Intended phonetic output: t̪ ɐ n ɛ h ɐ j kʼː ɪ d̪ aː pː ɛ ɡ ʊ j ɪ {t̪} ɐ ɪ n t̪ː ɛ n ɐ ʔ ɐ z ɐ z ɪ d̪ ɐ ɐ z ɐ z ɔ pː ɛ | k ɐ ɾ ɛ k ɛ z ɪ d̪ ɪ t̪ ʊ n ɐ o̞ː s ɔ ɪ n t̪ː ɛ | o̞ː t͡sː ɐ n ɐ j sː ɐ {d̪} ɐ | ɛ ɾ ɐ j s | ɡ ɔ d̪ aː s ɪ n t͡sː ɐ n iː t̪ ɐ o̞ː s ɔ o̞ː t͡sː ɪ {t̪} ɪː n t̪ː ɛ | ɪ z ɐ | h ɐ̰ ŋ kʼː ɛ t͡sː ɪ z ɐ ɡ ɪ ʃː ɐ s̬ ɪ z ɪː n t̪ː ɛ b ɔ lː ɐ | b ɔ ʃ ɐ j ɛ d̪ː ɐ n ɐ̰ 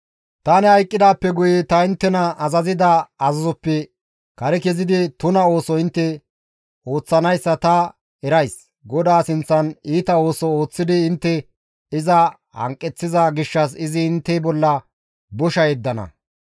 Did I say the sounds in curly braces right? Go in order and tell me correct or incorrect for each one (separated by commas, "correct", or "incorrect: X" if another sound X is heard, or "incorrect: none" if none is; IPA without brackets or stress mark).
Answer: correct, incorrect: t̪, incorrect: d̪